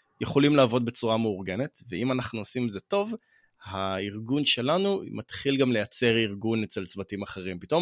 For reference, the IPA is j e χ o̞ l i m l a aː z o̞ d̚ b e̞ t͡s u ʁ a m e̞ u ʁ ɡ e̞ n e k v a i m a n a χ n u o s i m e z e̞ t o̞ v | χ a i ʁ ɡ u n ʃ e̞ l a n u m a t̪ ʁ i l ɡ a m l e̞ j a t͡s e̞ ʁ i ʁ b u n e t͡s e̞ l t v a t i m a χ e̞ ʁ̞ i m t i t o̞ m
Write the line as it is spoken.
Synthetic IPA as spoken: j e χ o̞ l i m l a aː v o̞ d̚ b e̞ t͡s u ʁ a m e̞ u ʁ ɡ e̞ n e t v e i m a n a χ n u o s i m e z e̞ t o̞ v | h a i ʁ ɡ u n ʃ e̞ l a n u m a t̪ χ i l ɡ a m l e̞ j a t͡s e̞ ʁ i ʁ ɡ u n e t͡s e̞ l t͡s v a t i m a χ e̞ ʁ̞ i m p i t o̞ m